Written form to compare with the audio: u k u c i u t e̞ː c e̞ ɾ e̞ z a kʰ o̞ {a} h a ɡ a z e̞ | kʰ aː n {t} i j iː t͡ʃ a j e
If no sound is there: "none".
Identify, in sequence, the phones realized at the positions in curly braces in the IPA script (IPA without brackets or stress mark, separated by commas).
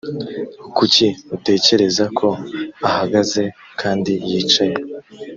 a, d